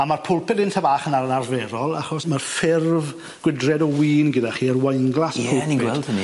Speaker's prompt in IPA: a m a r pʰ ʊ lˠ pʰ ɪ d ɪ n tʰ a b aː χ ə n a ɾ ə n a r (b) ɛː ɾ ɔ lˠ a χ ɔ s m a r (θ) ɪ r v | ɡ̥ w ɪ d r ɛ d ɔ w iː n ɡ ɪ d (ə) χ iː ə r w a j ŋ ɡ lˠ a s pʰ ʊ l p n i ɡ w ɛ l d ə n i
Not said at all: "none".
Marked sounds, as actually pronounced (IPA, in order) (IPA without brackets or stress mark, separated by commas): v, f, a